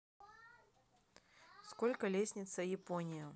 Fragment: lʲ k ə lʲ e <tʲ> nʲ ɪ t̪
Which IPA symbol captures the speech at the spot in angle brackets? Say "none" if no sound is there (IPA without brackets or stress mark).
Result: sʲ